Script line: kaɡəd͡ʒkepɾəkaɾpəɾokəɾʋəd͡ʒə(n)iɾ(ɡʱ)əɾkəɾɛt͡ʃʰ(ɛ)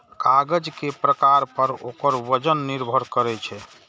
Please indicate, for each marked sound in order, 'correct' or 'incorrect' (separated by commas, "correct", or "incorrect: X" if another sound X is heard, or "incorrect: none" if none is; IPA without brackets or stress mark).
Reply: incorrect: nː, incorrect: bʱ, correct